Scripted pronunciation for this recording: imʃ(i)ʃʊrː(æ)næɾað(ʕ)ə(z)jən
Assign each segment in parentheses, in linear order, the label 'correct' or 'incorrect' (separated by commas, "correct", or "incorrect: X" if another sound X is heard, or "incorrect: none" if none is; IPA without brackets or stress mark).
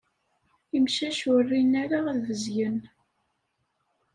incorrect: æ, incorrect: i, incorrect: v, correct